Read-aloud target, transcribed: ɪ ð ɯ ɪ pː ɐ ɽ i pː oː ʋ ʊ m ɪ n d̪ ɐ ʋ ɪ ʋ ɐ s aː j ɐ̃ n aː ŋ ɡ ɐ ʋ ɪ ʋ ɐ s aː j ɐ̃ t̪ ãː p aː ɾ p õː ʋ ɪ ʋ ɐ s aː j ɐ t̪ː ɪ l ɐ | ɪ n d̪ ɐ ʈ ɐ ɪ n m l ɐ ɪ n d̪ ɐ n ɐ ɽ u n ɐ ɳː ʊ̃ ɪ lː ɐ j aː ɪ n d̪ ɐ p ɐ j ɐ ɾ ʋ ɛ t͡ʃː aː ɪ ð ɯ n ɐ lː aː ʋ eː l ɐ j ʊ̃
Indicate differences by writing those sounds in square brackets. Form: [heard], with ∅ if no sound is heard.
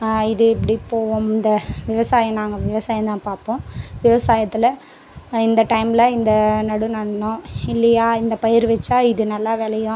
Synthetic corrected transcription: ɪ ð ɯ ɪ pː ɐ ɽ i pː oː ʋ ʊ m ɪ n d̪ ɐ ʋ ɪ ʋ ɐ s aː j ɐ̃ n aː ŋ ɡ ɐ ʋ ɪ ʋ ɐ s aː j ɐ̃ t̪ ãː p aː ɾ p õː ʋ ɪ ʋ ɐ s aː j ɐ t̪ː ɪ l ɐ | ɪ n d̪ ɐ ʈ ɐ ɪ [∅] m l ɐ ɪ n d̪ ɐ n ɐ ɽ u n ɐ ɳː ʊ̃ ɪ lː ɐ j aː ɪ n d̪ ɐ p ɐ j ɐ ɾ ʋ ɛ t͡ʃː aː ɪ ð ɯ n ɐ lː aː ʋ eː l ɐ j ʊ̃

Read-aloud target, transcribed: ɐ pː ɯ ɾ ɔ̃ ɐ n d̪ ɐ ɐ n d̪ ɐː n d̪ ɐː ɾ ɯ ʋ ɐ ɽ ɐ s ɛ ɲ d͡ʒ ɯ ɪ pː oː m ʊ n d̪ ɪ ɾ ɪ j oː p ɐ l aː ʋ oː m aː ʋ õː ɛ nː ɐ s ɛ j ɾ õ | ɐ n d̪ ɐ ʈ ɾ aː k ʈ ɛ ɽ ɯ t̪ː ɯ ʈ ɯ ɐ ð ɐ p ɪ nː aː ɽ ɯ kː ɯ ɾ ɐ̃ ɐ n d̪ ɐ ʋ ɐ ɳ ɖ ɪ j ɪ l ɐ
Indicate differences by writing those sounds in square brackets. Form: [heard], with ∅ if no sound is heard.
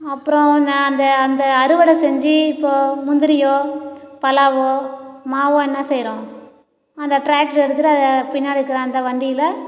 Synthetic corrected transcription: ɐ pː ɯ ɾ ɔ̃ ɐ n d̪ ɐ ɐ n d̪ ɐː n d̪ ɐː ɾ ɯ ʋ ɐ ɽ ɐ s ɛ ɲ d͡ʒ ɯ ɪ pː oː m ʊ n d̪ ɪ ɾ ɪ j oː p ɐ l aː ʋ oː m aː ʋ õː ɛ nː ɐ s ɛ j ɾ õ | ɐ n d̪ ɐ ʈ ɾ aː k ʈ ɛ ɽ ɯ t̪ː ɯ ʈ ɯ ɐ ð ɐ p ɪ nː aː ɽ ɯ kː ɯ ɾ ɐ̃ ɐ n d̪ ɐ ʋ ɐ ɳ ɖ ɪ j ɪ l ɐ

